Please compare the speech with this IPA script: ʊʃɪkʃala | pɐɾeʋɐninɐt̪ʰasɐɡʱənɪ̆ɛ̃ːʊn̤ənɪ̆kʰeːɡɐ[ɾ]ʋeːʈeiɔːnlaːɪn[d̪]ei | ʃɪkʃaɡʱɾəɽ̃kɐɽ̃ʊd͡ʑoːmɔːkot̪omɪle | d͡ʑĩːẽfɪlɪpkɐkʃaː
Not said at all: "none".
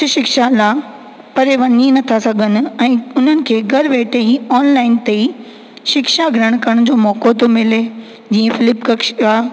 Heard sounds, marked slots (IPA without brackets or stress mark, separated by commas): ɾ, t̪